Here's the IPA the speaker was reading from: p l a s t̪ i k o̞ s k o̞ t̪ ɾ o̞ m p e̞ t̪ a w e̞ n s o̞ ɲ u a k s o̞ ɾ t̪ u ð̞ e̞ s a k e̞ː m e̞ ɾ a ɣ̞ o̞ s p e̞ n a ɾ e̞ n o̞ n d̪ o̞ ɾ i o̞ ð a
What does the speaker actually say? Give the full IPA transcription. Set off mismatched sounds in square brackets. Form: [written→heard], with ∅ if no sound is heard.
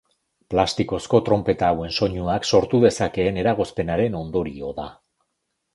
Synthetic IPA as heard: p l a s t̪ i k o̞ s k o̞ t̪ ɾ o̞ m p e̞ t̪ a w e̞ n s o̞ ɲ u a k s o̞ ɾ t̪ u ð̞ e̞ s a k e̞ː [m→n] e̞ ɾ a ɣ̞ o̞ s p e̞ n a ɾ e̞ n o̞ n d̪ o̞ ɾ i o̞ ð a